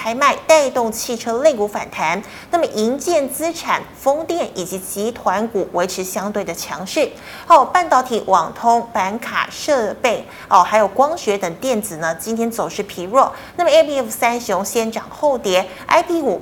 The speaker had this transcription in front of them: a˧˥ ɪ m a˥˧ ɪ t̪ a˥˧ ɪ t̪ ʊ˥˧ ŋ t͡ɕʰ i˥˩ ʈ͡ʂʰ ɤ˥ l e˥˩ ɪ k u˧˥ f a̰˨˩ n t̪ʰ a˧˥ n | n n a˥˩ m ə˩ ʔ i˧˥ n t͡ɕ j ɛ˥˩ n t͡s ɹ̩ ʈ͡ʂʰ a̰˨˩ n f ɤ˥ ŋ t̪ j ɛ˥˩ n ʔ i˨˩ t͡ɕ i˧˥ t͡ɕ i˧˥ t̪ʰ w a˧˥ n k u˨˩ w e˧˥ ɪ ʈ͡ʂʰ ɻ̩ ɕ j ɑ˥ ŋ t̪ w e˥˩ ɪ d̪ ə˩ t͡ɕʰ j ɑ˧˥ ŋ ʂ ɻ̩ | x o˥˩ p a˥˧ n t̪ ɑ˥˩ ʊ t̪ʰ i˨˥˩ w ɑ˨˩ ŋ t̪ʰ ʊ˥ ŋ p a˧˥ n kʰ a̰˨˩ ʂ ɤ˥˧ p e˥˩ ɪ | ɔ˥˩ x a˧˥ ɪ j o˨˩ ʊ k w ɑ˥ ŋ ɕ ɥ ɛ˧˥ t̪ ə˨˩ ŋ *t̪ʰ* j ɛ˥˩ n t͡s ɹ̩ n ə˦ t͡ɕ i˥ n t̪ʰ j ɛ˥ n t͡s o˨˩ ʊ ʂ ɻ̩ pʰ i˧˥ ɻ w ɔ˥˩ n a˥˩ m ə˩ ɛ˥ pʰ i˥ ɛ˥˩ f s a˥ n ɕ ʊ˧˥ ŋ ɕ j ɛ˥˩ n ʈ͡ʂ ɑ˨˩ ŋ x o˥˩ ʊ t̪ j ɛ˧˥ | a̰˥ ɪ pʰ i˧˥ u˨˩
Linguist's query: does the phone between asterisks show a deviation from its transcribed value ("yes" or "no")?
yes